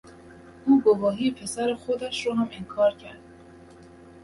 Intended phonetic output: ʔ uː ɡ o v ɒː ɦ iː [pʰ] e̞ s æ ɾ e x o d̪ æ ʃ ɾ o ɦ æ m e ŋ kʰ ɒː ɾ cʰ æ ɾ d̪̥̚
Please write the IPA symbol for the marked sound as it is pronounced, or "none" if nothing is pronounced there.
pʰ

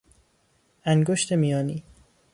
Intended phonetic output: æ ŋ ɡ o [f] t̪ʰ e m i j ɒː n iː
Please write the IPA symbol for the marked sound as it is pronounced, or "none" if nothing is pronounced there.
ʃ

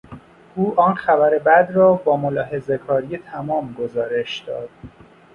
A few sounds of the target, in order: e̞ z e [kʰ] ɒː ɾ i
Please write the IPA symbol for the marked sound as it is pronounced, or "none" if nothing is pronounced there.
kʰ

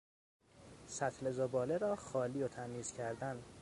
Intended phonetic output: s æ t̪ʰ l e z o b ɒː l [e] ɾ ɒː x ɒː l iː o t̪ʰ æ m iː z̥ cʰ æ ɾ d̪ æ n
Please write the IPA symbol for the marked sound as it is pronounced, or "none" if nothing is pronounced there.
e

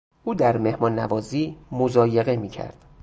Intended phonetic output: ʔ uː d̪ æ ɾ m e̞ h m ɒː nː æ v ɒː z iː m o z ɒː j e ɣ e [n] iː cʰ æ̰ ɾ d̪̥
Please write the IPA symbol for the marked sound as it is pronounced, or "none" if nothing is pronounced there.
m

